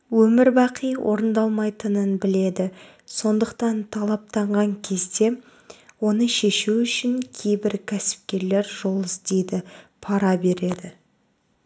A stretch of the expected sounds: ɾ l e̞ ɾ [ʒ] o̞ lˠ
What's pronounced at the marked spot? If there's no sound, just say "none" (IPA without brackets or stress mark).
ʒ